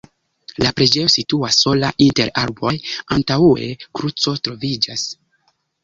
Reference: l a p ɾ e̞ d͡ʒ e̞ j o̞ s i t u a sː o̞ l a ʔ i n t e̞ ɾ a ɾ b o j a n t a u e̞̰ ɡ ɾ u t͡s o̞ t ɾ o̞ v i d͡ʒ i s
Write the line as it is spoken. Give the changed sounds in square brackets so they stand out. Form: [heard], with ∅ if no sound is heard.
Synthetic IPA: l a p ɾ e̞ d͡ʒ e̞ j o̞ s i t u a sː o̞ l a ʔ i n t e̞ ɾ a ɾ b o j a n t a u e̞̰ [k] ɾ u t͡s o̞ t ɾ o̞ v i d͡ʒ [a] s